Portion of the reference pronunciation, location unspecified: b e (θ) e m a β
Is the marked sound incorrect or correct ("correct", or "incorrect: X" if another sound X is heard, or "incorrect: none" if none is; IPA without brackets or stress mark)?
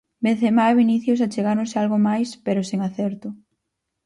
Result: correct